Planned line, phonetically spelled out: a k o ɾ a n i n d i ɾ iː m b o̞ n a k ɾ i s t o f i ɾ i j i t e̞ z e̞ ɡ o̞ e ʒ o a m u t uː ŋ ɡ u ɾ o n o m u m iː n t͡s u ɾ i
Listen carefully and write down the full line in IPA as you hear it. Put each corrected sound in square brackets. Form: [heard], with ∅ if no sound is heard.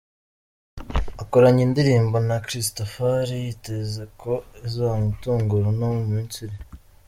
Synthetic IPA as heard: a k o ɾ a [ɲ] i n d i ɾ iː m b o̞ n a k ɾ i s t o f [a] ɾ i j i t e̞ z e̞ [k] o̞ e [z] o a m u t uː ŋ ɡ u ɾ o n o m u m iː n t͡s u ɾ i